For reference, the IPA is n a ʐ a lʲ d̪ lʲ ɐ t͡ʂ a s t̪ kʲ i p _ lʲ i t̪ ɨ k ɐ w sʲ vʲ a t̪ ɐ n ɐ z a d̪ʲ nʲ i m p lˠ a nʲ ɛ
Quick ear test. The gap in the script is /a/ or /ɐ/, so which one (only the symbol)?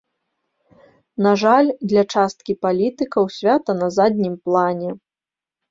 a